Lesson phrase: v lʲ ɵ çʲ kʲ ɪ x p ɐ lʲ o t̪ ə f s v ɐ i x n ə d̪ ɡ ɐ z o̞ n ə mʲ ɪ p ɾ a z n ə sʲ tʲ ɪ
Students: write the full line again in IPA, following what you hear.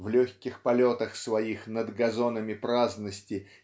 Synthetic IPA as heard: v lʲ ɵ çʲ kʲ ɪ x p ɐ lʲ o t̪ ə x s v ɐ i x n ə d̪ ɡ ɐ z o̞ n ə mʲ ɪ p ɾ a z n ə sʲ tʲ ɪ